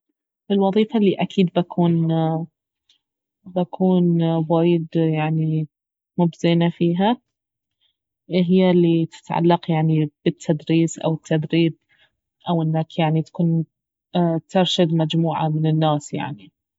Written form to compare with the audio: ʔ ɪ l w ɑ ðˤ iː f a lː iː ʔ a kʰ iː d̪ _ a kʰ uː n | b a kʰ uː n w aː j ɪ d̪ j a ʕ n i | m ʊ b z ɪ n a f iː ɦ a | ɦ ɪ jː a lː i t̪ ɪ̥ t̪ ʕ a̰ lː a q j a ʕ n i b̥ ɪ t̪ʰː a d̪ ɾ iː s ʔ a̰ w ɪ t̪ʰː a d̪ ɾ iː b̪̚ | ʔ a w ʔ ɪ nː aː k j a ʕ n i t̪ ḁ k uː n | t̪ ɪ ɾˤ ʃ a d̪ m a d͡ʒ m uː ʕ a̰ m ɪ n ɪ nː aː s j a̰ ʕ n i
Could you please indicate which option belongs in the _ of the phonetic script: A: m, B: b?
B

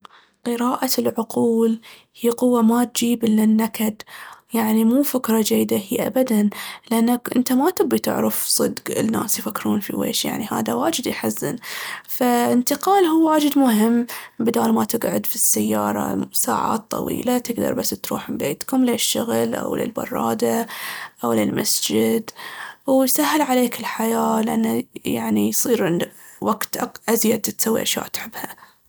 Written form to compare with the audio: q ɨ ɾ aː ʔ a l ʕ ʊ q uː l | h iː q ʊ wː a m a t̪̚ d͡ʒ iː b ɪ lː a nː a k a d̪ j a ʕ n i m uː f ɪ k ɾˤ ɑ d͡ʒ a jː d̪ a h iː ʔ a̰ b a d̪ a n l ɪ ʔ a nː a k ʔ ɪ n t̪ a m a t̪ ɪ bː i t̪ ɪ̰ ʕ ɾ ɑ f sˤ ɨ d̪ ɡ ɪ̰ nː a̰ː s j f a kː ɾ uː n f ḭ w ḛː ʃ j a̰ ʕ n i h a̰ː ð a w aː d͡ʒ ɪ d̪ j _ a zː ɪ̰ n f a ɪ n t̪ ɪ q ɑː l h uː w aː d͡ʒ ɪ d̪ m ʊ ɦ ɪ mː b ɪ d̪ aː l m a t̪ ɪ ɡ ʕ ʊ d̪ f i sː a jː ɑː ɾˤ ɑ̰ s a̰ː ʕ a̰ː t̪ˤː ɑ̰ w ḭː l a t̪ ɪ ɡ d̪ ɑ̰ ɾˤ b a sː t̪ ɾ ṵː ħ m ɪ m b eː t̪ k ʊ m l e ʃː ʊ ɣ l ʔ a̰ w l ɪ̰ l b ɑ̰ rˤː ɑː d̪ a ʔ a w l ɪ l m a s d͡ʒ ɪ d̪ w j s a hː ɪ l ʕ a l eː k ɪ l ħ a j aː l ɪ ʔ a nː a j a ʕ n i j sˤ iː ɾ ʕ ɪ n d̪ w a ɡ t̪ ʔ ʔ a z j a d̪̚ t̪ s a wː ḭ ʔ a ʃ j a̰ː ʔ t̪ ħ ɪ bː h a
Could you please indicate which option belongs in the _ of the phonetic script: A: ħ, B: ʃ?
A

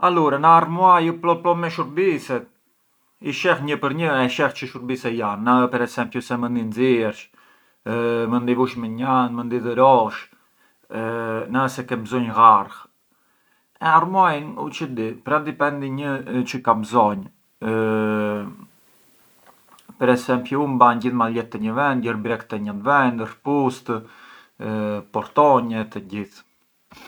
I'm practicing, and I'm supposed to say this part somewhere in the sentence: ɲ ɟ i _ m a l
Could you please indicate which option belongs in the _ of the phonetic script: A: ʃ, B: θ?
B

